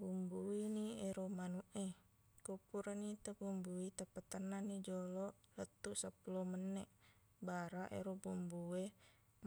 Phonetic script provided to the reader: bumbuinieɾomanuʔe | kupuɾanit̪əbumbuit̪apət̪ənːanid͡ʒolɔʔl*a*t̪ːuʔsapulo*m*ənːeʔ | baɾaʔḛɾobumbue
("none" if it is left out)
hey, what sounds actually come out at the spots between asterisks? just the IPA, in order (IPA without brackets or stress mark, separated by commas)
ə, m